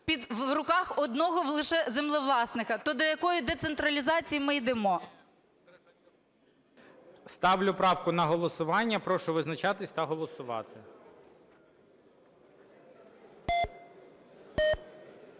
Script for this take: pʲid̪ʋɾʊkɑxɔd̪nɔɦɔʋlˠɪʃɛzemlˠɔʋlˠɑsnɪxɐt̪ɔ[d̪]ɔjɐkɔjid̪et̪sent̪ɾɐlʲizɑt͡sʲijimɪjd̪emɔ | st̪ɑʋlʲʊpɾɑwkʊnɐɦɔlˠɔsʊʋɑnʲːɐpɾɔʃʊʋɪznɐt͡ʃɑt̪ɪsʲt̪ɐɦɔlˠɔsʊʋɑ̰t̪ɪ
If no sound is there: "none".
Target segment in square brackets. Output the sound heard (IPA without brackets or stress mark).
d̪